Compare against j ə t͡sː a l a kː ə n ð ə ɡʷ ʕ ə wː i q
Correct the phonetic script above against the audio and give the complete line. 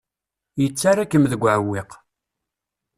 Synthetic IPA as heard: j ə t͡sː a ɾ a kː ə m ð ə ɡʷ ʕ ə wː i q

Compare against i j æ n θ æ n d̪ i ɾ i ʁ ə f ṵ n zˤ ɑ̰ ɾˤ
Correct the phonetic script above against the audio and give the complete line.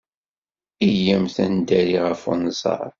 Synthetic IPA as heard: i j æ m θ æ n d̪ æ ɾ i ʁ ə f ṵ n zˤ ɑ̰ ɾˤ

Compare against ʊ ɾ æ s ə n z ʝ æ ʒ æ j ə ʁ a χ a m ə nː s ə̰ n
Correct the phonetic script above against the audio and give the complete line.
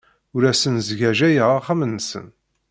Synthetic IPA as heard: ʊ ɾ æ s ə n z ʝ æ ʒ æ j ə ʁ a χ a m ə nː s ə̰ n

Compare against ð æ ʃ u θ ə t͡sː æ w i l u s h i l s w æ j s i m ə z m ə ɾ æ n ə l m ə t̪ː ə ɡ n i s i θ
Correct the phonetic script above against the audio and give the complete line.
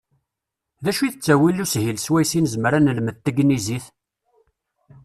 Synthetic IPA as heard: ð æ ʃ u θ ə t͡sː æ w i l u s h i l s w æ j s i n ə z m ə ɾ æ n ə l m ə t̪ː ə ɡ n i z i θ

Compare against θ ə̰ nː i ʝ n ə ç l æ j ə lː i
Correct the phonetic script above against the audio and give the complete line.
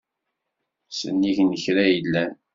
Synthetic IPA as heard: s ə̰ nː i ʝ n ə ç ɾ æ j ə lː æ

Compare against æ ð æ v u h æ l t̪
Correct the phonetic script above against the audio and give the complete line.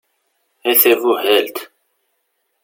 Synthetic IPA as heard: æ θ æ v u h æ l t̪

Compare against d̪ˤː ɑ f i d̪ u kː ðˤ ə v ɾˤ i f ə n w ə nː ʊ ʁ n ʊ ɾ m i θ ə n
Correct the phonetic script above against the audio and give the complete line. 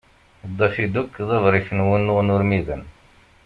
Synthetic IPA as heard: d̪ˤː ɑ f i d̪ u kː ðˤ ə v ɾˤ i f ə n w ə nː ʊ ʁ n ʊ ɾ m i ð ə n

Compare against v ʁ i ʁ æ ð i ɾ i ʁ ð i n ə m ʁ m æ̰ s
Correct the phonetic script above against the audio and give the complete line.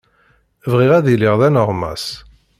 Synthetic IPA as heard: v ʁ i ʁ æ ð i l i ʁ ð æ n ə ʁ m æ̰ s

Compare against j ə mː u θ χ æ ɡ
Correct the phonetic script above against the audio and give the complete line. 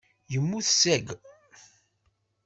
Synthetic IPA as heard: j ə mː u θ s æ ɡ

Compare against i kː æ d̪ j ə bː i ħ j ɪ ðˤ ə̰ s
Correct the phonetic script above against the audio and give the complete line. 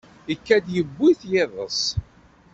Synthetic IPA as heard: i kː æ d̪ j ə bː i θ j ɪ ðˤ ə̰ s

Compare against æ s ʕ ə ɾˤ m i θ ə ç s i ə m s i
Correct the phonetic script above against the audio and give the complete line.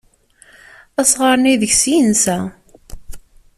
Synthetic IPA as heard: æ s ʁ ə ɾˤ n i ð ə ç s i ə n s æ

